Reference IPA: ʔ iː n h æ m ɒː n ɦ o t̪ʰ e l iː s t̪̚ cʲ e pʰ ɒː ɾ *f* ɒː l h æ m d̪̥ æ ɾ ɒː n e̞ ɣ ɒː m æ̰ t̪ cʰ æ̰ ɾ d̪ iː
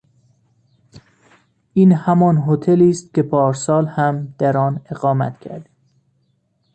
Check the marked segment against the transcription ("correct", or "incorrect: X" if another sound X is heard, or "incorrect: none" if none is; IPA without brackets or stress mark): incorrect: s